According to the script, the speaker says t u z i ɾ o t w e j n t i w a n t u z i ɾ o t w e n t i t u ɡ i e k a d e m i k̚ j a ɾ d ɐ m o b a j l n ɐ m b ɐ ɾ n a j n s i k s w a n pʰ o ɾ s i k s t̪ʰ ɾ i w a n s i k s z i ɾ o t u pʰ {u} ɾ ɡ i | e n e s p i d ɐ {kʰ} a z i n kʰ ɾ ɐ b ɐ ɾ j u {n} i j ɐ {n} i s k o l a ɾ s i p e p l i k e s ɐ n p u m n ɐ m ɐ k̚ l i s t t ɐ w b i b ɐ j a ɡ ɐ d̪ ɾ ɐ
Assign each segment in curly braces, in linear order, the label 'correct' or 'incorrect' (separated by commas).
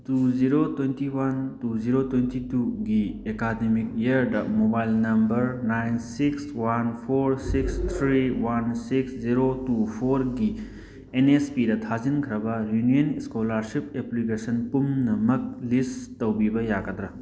incorrect, incorrect, correct, correct